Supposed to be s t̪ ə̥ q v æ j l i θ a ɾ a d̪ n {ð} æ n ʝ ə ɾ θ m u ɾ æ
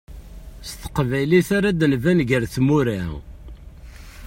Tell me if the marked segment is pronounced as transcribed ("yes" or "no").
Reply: no